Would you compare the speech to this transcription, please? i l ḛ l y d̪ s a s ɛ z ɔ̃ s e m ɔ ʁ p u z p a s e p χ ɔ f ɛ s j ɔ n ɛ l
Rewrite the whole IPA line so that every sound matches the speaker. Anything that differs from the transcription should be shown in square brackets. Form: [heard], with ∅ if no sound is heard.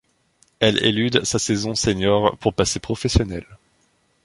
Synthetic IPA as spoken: [ɛ] l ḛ l y d̪ s a s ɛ z ɔ̃ s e [ɲ] ɔ ʁ p u [ʁ] p a s e p χ ɔ f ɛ s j ɔ n ɛ l